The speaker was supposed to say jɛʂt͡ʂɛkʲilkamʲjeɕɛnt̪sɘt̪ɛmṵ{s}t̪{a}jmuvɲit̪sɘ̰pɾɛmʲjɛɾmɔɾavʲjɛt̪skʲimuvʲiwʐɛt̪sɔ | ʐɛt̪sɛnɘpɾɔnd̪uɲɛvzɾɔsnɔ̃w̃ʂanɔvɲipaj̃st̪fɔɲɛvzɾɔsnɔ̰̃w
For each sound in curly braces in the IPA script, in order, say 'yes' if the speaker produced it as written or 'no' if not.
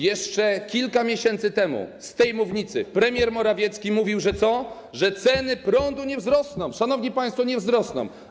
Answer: yes, no

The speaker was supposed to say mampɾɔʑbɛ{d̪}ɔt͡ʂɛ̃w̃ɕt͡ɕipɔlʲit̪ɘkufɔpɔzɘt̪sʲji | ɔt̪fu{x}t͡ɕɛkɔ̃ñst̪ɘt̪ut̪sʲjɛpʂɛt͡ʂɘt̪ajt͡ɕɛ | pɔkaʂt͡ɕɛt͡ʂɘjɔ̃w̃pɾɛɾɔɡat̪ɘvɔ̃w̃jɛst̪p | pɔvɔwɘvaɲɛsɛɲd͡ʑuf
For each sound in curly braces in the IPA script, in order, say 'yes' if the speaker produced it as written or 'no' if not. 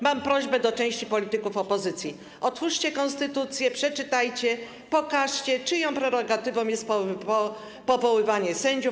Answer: yes, no

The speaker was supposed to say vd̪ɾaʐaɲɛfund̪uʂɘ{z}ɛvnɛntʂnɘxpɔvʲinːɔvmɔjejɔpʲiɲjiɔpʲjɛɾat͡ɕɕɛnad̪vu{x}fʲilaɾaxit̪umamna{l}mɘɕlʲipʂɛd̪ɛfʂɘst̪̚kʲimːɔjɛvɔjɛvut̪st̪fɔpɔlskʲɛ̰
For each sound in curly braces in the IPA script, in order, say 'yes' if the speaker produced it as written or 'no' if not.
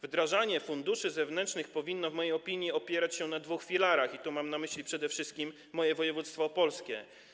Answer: yes, yes, no

